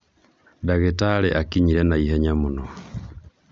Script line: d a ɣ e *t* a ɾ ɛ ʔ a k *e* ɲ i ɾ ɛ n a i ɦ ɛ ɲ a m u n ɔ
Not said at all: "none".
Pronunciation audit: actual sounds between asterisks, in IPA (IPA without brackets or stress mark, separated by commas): t, i